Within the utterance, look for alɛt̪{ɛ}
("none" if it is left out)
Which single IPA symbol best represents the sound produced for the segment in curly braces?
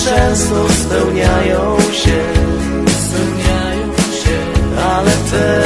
ɛ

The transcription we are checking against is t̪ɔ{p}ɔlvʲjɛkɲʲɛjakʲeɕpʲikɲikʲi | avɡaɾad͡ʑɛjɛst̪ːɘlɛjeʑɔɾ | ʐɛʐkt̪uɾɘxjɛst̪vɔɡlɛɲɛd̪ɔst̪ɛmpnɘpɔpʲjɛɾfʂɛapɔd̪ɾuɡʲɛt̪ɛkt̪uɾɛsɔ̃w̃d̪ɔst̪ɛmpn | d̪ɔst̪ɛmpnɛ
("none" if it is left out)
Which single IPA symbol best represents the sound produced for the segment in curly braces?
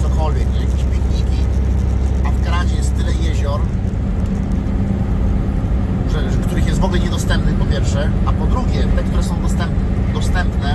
k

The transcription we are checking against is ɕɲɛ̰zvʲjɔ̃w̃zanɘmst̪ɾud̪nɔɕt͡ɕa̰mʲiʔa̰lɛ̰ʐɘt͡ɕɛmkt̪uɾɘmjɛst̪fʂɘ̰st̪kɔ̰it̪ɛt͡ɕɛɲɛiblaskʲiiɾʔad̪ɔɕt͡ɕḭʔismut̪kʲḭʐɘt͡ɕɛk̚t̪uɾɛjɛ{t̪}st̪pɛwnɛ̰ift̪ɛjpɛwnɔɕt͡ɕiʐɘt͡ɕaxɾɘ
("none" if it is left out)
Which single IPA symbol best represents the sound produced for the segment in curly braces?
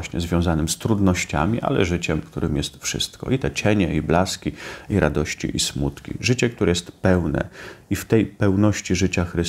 none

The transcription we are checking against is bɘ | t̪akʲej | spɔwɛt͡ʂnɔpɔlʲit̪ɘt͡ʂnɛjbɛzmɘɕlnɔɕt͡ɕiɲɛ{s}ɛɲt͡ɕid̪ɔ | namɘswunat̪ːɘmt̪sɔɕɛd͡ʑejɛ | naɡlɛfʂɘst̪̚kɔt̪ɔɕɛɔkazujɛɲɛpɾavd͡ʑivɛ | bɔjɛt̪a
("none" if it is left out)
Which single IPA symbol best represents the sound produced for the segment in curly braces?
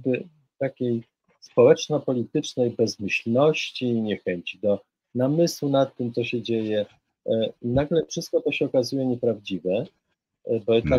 x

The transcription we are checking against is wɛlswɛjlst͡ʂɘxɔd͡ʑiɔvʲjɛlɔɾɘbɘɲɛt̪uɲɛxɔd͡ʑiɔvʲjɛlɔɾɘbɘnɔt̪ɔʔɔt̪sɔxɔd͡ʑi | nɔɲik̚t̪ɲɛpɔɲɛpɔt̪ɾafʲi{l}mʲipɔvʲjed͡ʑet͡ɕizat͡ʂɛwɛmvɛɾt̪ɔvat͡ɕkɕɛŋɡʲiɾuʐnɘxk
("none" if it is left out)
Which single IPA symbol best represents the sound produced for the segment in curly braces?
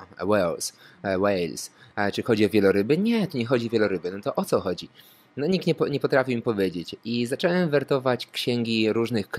none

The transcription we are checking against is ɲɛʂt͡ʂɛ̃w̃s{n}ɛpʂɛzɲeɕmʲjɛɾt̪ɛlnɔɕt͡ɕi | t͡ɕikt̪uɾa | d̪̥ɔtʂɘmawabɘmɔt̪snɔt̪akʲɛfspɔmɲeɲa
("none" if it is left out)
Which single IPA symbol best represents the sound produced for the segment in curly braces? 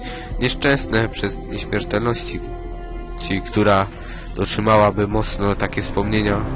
n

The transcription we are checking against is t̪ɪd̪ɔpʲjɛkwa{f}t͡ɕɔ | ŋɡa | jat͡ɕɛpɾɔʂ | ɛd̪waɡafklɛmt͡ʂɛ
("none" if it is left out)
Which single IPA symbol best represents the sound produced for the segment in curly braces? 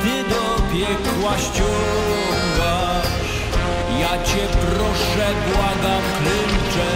ɕ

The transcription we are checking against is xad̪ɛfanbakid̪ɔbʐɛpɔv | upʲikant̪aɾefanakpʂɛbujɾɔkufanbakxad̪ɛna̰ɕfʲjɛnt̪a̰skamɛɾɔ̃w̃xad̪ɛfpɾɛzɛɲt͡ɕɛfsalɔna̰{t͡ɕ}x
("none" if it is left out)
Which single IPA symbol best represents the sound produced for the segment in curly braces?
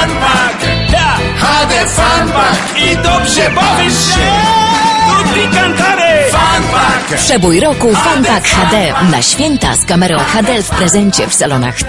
none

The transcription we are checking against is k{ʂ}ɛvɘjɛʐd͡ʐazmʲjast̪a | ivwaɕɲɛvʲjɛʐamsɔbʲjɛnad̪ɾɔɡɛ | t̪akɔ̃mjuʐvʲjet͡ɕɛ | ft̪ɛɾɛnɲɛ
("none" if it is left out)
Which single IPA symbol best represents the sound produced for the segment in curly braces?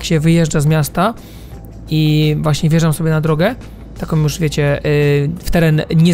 ɕ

